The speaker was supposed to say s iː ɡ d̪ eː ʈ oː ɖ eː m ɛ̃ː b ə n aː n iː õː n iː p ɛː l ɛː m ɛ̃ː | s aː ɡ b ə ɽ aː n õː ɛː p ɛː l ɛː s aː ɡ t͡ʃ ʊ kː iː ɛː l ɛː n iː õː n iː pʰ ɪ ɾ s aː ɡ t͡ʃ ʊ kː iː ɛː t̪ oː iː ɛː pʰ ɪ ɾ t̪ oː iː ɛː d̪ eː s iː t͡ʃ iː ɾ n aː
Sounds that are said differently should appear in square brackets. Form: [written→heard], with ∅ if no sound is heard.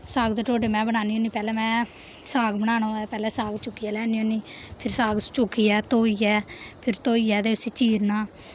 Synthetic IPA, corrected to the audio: s [iː→aː] ɡ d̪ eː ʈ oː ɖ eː m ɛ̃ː b ə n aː n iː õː n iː p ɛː l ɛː m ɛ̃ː | s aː ɡ b ə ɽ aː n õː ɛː p ɛː l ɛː s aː ɡ t͡ʃ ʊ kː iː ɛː l ɛː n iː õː n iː pʰ ɪ ɾ s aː ɡ t͡ʃ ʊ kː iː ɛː t̪ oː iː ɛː pʰ ɪ ɾ t̪ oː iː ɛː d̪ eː s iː t͡ʃ iː ɾ n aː